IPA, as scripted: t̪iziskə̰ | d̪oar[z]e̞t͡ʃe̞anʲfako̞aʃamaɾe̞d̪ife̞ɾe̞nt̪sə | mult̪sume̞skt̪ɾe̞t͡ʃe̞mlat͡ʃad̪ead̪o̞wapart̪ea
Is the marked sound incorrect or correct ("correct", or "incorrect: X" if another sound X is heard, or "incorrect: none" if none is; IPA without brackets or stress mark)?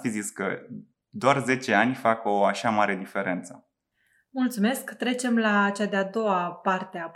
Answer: correct